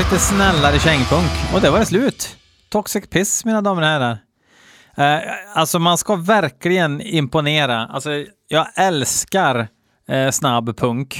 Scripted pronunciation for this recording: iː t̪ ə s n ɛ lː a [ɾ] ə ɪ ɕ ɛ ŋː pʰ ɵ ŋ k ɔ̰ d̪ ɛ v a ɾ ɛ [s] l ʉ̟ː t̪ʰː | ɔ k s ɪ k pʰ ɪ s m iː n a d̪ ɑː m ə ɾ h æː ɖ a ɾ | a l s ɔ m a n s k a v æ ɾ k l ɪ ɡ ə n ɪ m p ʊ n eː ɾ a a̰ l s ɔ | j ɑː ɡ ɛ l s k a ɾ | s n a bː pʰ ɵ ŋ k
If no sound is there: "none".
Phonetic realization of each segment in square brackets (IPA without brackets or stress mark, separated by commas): ɾ, s